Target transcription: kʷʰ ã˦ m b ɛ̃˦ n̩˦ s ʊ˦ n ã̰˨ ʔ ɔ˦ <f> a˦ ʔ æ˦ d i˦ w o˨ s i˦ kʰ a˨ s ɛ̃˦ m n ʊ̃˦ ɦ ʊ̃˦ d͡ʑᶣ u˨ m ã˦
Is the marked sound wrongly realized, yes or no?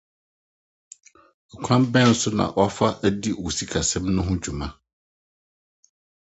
no